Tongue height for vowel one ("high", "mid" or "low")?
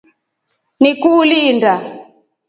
high